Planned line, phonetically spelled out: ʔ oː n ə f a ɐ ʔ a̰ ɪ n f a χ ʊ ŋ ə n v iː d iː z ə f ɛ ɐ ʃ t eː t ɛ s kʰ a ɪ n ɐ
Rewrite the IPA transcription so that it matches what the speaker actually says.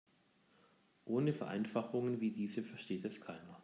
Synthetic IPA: ʔ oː n ə f ɛ ɐ ʔ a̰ ɪ n f a χ ʊ ŋ ə n v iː d iː z ə f ɛ ɐ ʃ t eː t ɛ s kʰ a ɪ n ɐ